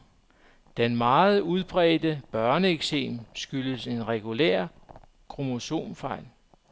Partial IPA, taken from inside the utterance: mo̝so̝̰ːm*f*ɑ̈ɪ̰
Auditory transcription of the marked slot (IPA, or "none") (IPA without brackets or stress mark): f